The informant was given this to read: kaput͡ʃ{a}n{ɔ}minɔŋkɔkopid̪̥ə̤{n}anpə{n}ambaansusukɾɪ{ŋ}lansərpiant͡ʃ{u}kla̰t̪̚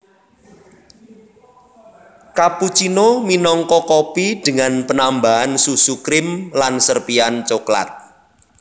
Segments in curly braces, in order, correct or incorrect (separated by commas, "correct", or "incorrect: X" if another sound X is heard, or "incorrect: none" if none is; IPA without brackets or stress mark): incorrect: i, incorrect: o, incorrect: ŋ, correct, incorrect: m, incorrect: o